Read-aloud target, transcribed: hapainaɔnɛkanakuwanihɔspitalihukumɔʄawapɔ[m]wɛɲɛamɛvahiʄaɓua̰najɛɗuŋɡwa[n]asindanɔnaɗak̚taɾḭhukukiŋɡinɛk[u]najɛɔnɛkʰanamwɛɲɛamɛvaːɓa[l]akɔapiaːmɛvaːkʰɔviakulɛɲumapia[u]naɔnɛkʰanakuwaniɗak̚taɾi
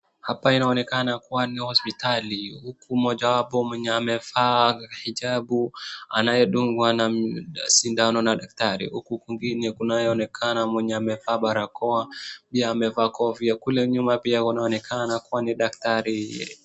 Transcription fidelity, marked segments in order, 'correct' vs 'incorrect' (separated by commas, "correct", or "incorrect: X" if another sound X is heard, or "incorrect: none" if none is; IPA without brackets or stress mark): correct, correct, correct, incorrect: ɾ, correct